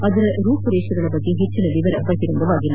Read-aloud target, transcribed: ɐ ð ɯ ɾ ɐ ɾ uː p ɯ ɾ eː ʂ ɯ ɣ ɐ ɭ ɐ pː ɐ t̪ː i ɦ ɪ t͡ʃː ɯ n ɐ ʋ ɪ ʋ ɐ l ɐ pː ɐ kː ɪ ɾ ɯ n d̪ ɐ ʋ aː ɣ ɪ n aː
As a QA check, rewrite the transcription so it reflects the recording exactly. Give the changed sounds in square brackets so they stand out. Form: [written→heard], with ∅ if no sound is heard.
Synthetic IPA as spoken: ɐ ð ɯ ɾ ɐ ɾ uː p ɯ ɾ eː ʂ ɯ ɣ ɐ ɭ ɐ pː ɐ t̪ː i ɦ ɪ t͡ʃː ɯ n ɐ ʋ ɪ ʋ ɐ [l→ɾ] ɐ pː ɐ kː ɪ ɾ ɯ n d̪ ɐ ʋ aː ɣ ɪ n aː